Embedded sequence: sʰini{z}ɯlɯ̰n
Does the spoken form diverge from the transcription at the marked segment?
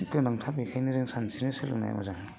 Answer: yes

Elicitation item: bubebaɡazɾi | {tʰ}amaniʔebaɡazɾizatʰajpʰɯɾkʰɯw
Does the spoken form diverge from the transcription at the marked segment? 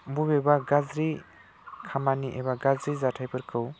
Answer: yes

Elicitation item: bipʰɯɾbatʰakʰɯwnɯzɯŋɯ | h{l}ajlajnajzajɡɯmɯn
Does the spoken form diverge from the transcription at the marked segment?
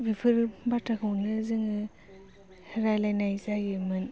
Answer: yes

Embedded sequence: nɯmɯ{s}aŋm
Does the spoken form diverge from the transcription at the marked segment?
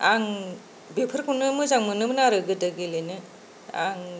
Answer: yes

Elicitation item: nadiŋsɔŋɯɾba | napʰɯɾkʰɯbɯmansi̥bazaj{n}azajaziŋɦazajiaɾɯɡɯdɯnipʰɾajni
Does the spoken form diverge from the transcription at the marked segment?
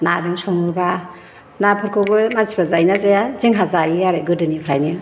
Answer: no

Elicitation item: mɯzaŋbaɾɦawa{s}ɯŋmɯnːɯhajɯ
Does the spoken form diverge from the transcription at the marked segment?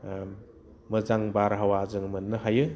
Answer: yes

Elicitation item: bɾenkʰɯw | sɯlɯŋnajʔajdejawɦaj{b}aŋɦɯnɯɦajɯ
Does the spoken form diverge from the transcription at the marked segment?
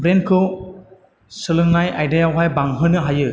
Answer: no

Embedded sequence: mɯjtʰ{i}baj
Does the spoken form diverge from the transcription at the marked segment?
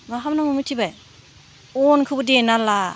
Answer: no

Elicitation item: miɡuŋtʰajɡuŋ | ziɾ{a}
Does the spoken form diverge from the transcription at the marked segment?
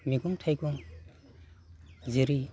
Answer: yes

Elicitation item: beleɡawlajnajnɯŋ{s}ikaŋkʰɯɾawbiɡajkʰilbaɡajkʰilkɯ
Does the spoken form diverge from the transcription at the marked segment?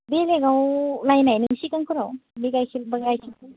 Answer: no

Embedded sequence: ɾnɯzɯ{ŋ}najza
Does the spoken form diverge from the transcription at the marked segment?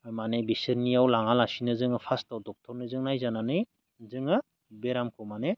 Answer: no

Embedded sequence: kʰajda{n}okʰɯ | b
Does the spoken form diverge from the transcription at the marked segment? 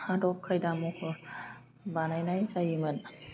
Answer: yes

